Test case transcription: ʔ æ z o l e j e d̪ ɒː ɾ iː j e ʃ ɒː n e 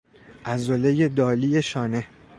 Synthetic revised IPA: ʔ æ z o l e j e d̪ ɒː l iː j e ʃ ɒː n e